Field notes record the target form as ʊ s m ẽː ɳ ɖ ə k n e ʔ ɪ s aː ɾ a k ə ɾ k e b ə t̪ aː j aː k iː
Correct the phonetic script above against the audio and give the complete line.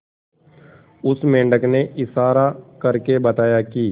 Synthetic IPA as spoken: ʊ s m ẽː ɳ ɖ ə k n e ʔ ɪ s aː ɾ a k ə ɾ k e b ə t̪ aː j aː k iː